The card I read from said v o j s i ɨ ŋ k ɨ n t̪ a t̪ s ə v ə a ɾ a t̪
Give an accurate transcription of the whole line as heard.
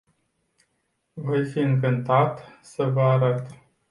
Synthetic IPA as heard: v o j f i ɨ ŋ k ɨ n t̪ a t̪ s ə v ə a ɾ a t̪